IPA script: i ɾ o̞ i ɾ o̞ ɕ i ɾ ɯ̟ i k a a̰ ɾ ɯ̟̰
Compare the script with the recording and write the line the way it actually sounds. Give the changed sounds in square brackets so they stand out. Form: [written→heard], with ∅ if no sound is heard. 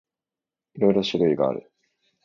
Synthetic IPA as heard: i ɾ o̞ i ɾ o̞ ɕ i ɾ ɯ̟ i [k→ɡ] a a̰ ɾ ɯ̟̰